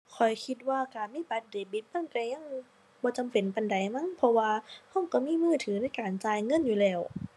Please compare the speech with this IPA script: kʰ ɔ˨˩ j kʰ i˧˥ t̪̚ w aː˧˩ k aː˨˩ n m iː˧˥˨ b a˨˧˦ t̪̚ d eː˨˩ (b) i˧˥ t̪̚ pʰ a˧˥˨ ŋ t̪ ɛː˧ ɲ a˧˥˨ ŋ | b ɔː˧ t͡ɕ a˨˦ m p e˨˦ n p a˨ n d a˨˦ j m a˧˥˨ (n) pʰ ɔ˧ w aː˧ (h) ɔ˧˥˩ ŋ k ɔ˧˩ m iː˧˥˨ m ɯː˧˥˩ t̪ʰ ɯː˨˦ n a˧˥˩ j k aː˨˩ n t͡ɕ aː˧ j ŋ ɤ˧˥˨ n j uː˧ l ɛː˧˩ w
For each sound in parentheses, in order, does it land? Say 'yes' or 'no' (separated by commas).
yes, no, yes